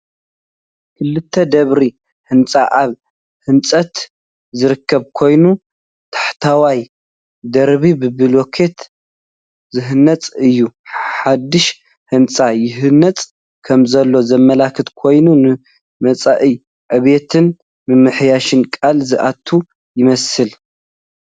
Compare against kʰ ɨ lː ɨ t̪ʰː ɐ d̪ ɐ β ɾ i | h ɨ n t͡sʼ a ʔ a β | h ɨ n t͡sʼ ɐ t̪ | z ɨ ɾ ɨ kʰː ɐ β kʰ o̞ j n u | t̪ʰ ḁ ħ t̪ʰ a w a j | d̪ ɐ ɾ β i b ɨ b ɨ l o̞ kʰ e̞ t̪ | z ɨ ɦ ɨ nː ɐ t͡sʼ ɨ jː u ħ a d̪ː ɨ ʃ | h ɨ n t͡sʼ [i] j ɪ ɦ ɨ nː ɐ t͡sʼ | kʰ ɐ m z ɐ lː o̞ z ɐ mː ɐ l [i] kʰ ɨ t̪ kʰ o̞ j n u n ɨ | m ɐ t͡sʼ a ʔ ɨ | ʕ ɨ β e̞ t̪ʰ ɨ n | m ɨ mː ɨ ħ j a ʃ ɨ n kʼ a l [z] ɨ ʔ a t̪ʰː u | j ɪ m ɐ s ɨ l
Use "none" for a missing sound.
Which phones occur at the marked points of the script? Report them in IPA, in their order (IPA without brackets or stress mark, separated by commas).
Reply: a, a, z